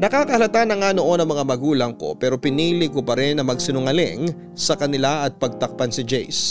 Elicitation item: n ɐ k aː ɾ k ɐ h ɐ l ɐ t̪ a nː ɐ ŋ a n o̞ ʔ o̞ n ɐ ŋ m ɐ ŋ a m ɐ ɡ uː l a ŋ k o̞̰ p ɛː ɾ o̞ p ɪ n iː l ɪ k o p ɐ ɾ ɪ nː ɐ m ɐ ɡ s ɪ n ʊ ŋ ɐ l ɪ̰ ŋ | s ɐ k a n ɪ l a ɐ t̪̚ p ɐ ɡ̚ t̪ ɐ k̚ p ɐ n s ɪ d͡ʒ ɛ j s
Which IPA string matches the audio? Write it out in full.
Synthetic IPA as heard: n ɐ k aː k ɐ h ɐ l ɐ t̪ a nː ɐ ŋ a n o̞ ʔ o̞ n ɐ ŋ m ɐ ŋ a m ɐ ɡ uː l ɐ ŋ k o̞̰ p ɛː ɾ o̞ p ɪ n iː l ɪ k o p ɐ ɾ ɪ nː ɐ m ɐ ɡ s ɪ n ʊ ŋ ɐ l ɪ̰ ŋ | s ɐ k ɐ n ɪ l a ɐ t̪̚ p ɐ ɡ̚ t̪ ɐ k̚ p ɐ n s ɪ d͡ʒ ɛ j s